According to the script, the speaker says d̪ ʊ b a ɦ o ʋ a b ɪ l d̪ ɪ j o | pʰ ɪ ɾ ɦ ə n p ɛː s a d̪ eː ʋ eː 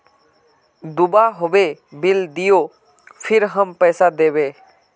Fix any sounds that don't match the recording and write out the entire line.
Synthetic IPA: d̪ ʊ b a ɦ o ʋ e b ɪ l d̪ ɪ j o | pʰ ɪ ɾ ɦ ə m p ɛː s a d̪ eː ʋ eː